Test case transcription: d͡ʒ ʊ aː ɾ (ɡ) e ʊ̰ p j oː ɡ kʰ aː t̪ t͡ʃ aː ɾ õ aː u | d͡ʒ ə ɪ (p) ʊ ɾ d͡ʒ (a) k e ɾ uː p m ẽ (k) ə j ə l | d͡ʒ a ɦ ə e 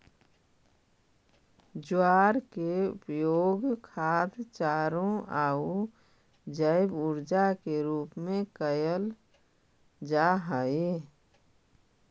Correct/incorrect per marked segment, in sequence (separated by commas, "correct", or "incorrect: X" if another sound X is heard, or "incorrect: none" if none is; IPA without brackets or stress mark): incorrect: k, incorrect: b, correct, correct